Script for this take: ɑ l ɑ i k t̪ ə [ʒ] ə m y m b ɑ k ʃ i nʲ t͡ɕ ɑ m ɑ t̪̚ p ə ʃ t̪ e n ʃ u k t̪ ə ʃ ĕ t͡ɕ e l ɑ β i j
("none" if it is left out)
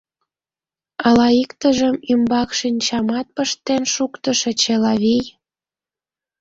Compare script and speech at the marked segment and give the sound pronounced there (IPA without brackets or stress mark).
ʒ